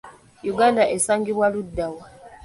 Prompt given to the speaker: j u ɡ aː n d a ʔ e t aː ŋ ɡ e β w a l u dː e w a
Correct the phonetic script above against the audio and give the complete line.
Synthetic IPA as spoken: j u ɡ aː n d a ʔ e s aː ŋ ɡ i β w a l u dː a w a